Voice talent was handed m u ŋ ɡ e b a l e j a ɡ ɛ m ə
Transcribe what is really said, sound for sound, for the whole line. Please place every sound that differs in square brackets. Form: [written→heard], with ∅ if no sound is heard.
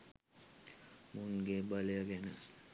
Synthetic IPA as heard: m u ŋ ɡ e b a l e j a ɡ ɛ [m→n] ə